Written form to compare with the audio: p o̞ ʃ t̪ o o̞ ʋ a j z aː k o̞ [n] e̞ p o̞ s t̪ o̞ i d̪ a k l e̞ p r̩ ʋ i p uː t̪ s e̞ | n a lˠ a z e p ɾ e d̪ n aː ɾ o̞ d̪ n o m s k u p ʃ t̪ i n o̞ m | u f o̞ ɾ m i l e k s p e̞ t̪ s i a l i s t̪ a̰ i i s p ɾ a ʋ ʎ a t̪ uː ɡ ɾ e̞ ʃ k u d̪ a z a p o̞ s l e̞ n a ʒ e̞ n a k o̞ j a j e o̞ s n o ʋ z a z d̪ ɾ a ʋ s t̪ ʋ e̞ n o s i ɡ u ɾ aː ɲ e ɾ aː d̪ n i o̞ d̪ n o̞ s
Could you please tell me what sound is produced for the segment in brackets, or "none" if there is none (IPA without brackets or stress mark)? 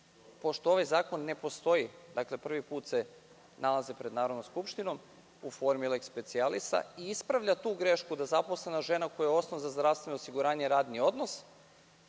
nː